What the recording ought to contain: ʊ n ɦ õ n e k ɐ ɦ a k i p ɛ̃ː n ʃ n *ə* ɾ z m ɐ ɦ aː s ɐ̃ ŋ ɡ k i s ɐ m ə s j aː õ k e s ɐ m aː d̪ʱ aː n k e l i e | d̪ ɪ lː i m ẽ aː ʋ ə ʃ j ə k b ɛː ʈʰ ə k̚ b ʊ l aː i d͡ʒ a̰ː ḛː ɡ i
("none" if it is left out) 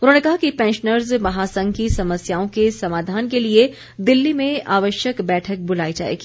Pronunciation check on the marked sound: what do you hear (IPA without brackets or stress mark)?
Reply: ə